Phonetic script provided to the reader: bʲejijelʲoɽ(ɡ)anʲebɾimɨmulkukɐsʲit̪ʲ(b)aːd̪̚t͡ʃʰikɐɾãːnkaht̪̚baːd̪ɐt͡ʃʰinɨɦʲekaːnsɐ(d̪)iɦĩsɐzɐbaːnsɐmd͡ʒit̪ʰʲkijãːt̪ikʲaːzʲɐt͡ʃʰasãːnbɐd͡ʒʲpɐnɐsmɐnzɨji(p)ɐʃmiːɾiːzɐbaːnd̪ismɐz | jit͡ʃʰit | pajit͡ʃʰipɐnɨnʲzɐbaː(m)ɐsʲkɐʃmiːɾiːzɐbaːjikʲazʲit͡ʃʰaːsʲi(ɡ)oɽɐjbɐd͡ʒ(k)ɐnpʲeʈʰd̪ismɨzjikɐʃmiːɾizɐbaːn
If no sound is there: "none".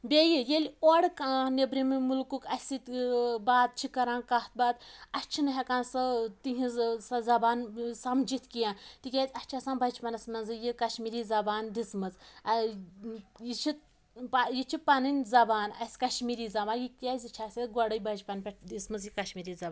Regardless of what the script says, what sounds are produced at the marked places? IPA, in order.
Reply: k, b, t̪, k, n, ɡ, p

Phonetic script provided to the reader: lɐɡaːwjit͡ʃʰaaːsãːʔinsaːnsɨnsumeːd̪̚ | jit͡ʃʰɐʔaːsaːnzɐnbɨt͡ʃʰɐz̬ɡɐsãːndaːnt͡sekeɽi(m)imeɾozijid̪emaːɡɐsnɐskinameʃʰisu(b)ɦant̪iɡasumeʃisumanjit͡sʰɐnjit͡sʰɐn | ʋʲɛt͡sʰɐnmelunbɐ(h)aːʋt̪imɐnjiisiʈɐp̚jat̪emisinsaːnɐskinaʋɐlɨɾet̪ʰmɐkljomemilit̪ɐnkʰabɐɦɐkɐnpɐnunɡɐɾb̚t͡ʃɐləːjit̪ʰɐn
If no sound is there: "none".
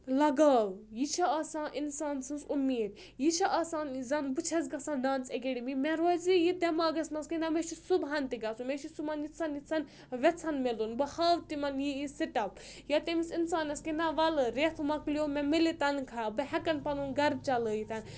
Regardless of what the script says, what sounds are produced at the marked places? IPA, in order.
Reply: m, b, h

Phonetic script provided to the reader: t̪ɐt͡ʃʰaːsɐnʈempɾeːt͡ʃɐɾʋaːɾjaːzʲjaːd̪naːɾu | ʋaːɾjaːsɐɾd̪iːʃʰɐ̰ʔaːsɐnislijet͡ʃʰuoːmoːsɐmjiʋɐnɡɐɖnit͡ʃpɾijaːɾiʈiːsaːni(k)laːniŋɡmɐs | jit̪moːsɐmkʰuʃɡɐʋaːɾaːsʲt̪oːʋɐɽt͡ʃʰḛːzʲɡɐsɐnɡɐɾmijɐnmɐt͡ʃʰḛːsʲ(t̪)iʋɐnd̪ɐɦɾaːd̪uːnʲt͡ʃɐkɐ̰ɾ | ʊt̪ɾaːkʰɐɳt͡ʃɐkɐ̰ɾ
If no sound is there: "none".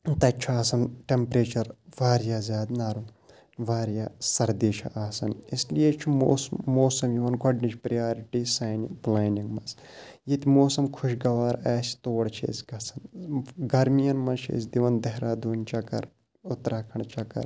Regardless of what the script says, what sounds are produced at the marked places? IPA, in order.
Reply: p, d̪

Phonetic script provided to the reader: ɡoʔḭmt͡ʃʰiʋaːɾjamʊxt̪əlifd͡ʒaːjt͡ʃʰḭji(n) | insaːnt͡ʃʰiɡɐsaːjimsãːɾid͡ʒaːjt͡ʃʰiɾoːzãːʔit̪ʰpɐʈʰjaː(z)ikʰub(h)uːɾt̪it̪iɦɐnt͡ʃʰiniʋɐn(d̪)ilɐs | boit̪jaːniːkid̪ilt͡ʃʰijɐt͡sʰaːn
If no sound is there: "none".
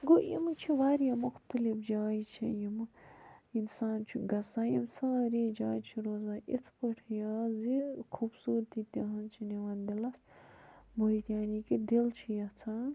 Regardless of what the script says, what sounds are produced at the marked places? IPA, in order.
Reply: m, z, s, d̪

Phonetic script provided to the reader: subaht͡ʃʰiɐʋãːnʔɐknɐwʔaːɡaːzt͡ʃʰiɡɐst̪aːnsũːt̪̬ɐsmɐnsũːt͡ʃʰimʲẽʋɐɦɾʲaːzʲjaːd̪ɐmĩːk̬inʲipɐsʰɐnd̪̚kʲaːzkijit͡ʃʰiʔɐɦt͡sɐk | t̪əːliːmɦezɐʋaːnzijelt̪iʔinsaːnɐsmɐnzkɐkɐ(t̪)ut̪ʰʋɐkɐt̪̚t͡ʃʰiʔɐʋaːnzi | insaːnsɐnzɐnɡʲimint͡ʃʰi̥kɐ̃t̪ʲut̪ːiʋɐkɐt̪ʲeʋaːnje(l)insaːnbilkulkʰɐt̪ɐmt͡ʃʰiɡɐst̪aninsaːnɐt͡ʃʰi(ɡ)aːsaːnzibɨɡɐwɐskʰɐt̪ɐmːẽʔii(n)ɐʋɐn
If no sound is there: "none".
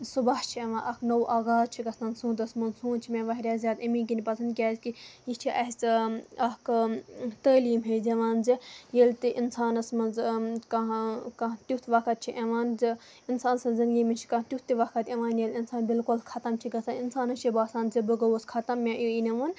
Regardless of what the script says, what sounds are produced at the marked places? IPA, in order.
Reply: t̪, l, b, n

